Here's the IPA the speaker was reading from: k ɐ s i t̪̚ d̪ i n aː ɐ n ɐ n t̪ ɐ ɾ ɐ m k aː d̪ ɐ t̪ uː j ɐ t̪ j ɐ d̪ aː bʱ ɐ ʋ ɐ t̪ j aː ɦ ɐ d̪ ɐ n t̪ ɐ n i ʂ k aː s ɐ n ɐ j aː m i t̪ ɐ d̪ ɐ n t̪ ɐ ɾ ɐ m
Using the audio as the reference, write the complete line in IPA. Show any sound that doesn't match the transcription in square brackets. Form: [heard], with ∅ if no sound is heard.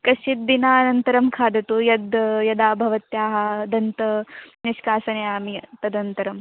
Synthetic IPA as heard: k ɐ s i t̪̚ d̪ i n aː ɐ n ɐ n t̪ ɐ ɾ ɐ m [kʰ] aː d̪ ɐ t̪ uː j ɐ [d̪] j ɐ d̪ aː bʱ ɐ ʋ ɐ t̪ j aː ɦ ɐ d̪ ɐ n t̪ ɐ n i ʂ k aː s ɐ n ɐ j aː m i t̪ ɐ d̪ ɐ n t̪ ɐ ɾ ɐ m